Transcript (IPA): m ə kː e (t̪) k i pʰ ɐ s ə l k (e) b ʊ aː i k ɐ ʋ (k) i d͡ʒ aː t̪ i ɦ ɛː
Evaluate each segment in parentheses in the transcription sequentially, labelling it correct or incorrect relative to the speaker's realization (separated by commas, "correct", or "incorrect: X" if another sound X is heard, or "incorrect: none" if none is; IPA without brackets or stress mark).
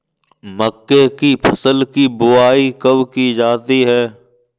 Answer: incorrect: none, incorrect: i, correct